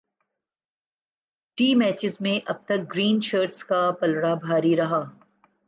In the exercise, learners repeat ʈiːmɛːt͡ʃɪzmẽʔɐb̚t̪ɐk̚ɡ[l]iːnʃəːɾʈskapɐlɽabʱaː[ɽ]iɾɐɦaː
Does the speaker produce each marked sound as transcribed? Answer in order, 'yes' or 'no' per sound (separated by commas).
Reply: no, no